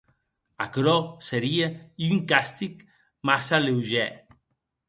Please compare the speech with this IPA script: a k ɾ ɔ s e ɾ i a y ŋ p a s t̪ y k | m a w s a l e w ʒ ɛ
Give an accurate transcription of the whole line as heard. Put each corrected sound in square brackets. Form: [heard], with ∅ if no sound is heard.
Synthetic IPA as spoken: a k ɾ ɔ s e ɾ i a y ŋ [k] a s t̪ [i] k | m a [∅] s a l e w ʒ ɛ